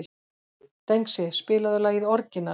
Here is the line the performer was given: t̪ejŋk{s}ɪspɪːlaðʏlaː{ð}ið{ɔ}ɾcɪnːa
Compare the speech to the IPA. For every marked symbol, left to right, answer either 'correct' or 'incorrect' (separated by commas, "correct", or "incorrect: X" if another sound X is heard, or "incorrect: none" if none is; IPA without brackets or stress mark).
correct, incorrect: ɣ, correct